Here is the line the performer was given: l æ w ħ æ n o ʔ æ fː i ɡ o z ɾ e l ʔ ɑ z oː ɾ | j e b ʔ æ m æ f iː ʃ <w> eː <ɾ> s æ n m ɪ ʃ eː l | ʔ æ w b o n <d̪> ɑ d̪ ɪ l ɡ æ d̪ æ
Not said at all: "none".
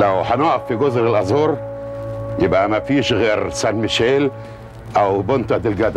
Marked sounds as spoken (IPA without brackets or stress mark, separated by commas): ɣ, ɾ, t̪